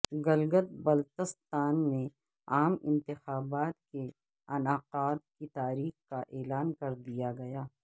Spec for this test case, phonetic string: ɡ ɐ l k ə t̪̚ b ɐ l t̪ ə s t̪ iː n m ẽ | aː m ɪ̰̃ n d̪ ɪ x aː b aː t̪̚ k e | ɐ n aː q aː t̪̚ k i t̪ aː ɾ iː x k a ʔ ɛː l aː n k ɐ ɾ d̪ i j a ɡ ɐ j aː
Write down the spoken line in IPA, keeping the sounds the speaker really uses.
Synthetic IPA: ɡ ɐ l ɡ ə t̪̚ b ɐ l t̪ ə s t̪ aː n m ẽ | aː m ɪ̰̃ n t̪ ɪ x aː b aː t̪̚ k e | ɐ n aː q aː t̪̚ k i t̪ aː ɾ iː x k a ʔ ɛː l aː n k ɐ ɾ d̪ i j a ɡ ɐ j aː